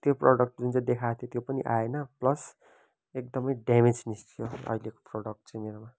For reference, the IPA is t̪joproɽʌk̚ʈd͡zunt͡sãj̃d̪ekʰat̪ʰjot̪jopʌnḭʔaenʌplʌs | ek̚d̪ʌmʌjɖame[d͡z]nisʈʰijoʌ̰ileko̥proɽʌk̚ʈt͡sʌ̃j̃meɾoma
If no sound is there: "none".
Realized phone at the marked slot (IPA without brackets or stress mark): d͡z